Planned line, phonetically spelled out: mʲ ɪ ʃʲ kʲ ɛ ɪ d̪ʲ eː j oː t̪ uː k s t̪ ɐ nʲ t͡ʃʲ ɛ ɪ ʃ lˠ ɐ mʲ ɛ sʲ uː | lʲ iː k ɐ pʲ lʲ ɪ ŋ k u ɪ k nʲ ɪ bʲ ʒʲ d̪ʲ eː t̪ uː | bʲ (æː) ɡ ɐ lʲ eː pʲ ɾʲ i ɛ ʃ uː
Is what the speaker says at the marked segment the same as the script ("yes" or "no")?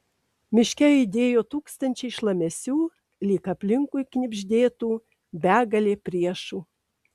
yes